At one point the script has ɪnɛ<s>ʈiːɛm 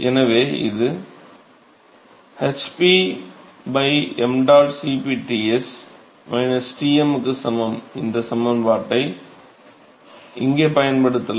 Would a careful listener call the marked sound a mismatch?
no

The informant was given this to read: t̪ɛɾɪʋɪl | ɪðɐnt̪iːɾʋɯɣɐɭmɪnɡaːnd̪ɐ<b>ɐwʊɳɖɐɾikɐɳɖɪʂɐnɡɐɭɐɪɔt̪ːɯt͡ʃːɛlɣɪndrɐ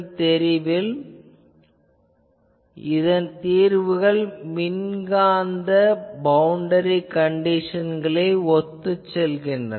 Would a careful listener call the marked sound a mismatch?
no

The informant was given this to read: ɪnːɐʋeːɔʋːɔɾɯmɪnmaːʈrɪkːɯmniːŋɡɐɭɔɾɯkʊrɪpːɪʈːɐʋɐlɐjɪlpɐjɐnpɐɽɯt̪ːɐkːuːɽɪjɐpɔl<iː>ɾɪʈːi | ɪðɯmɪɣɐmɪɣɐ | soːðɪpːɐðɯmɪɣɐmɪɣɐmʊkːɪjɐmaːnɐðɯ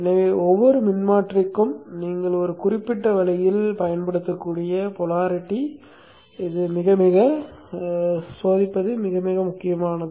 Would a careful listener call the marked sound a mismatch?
yes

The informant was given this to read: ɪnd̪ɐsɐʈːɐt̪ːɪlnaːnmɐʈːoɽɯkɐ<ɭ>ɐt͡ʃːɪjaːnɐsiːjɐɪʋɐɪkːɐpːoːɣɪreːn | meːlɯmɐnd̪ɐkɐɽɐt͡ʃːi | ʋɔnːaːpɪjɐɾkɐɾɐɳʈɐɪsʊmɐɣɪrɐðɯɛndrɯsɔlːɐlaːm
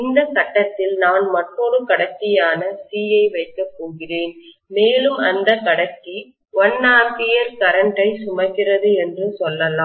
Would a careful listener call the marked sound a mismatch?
yes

